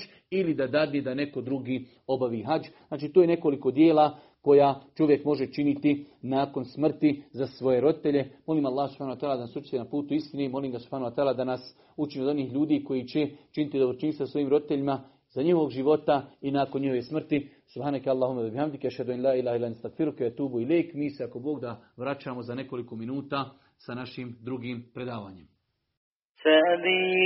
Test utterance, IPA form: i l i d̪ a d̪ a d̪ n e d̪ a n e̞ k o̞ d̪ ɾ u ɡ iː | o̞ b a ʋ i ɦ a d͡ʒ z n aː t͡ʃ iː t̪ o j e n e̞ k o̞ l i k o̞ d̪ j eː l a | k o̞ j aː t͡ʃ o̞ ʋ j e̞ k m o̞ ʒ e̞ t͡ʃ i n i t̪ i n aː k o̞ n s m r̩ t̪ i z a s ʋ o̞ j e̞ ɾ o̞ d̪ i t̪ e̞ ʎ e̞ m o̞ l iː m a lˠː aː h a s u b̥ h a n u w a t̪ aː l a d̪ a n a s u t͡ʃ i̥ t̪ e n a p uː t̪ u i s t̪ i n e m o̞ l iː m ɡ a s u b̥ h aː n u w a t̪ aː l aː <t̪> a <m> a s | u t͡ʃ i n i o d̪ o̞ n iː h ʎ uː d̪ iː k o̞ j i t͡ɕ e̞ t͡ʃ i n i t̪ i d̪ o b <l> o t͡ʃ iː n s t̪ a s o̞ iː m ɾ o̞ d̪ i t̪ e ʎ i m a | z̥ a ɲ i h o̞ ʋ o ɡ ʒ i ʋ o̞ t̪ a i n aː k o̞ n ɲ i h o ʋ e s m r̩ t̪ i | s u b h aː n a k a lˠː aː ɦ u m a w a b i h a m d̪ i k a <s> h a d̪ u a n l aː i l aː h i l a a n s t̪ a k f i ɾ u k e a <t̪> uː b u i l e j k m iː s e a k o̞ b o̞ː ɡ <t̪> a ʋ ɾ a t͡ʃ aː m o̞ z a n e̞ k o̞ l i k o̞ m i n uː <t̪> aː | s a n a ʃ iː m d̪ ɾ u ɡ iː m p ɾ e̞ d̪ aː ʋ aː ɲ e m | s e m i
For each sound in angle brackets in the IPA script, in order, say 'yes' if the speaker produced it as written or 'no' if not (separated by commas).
no, no, no, no, yes, no, yes